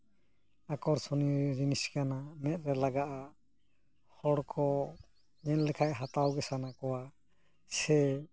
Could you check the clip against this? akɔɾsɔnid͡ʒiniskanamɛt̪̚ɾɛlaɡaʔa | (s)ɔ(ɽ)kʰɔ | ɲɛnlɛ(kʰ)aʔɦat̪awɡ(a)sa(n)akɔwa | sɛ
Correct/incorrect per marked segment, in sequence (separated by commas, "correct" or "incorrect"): incorrect, correct, correct, incorrect, correct